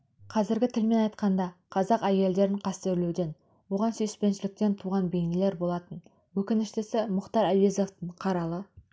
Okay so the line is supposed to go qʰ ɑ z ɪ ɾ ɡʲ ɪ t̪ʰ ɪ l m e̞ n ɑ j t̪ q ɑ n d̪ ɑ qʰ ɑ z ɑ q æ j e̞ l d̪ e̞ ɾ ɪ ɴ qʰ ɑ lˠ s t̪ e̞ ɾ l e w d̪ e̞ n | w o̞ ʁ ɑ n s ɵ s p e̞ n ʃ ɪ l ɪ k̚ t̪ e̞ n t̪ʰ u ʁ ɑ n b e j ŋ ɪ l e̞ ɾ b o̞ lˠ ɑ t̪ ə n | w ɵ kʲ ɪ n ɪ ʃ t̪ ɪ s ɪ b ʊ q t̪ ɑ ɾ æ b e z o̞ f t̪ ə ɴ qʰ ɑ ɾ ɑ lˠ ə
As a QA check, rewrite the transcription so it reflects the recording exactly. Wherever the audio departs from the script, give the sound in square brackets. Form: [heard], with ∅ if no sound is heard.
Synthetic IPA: qʰ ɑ z ɪ ɾ ɡʲ ɪ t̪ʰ ɪ l m e̞ n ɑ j t̪ q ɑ n d̪ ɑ qʰ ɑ z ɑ q æ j e̞ l d̪ e̞ ɾ ɪ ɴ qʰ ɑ [∅] s t̪ e̞ ɾ l e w d̪ e̞ n | w o̞ ʁ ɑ n s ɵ s p e̞ n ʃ ɪ l ɪ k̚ t̪ e̞ n t̪ʰ u ʁ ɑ n b e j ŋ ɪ l e̞ ɾ b o̞ lˠ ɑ t̪ ə n | w ɵ kʲ ɪ n ɪ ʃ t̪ ɪ s ɪ [m] ʊ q t̪ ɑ ɾ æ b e z o̞ f t̪ ə ɴ qʰ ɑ ɾ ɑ lˠ ə